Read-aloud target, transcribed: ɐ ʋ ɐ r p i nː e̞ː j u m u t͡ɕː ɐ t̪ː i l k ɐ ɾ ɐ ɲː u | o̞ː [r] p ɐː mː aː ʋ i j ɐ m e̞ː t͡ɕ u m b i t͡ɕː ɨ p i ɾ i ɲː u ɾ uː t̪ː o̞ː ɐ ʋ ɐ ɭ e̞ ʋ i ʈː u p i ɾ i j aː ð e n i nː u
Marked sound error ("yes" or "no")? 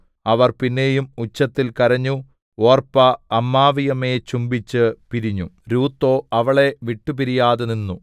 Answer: no